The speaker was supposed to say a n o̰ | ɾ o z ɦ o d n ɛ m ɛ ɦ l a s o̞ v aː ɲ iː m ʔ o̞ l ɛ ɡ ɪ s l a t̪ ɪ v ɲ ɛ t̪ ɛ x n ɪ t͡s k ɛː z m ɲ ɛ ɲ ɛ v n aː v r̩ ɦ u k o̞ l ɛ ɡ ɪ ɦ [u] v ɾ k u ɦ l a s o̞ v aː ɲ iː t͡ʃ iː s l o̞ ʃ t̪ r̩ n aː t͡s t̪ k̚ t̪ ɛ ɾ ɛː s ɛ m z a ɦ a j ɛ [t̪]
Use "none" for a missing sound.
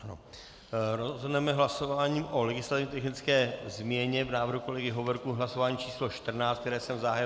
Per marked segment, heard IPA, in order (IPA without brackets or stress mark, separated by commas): o, none